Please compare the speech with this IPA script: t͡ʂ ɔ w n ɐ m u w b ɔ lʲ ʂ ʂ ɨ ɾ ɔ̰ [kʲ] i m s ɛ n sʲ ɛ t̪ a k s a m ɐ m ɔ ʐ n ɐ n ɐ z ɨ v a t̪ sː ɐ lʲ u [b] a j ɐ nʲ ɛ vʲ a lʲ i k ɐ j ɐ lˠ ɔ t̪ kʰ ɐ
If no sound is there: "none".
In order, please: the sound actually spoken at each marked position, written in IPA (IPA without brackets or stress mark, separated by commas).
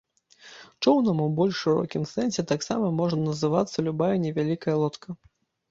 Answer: kʲ, b